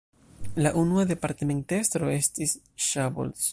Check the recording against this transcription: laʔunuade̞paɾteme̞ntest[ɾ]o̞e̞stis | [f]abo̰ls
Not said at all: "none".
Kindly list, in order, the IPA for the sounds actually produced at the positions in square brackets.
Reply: ɾ, ʃ

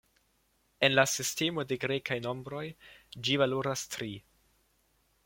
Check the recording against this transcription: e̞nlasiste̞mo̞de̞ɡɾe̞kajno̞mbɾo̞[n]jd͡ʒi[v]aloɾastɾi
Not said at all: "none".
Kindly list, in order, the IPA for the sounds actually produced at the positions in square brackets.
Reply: none, v

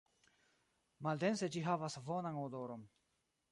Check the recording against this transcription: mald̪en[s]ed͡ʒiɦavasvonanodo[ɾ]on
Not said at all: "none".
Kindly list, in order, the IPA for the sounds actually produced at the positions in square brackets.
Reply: s, ɾ

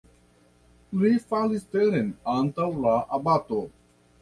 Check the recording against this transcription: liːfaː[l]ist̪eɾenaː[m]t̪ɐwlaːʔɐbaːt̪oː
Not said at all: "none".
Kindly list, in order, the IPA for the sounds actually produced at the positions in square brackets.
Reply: l, n

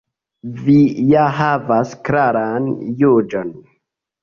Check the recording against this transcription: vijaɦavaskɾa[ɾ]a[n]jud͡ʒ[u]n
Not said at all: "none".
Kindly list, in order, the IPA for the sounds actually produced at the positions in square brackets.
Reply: ɾ, n, o

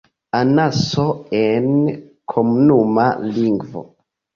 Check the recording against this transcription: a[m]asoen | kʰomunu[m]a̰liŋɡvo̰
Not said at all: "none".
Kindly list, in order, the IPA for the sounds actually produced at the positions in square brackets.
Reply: n, m

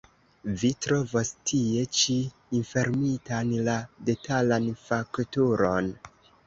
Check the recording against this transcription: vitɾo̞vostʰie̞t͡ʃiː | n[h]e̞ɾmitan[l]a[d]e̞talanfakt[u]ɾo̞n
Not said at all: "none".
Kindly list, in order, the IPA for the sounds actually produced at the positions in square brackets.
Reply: f, l, d, u

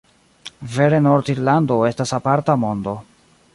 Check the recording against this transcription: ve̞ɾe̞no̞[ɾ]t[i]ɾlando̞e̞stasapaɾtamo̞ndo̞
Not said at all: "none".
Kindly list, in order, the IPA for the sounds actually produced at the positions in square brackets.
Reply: ɾ, i

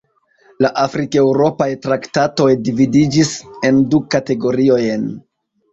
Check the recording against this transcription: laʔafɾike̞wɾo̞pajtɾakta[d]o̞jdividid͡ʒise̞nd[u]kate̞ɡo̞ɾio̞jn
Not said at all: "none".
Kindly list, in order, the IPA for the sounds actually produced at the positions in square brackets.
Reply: t, u

